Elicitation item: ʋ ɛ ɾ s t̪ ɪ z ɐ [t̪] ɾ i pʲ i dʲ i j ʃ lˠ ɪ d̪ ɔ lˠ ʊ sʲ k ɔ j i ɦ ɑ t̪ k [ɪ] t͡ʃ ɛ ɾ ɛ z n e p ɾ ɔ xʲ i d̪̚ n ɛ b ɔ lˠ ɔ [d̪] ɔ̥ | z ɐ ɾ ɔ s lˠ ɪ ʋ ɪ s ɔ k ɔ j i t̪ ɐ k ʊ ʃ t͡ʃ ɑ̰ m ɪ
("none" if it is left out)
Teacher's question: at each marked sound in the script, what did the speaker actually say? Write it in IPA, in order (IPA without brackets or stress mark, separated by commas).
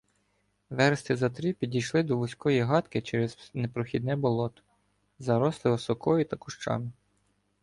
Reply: t̪, ɪ, t̪